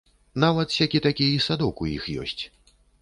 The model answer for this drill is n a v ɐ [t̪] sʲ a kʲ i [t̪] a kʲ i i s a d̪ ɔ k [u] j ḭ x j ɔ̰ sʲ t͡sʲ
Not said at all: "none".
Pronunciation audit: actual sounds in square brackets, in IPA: t̪, t̪, u

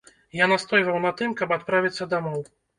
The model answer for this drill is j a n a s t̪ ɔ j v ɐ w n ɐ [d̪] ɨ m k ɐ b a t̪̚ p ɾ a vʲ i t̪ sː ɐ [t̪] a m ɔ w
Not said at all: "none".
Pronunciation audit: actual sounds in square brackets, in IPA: t̪, d̪

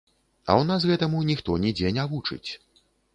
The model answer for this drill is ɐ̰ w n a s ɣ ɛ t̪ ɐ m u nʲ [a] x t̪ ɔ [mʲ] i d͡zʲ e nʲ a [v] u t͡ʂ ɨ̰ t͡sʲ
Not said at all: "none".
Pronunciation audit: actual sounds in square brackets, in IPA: i, nʲ, v

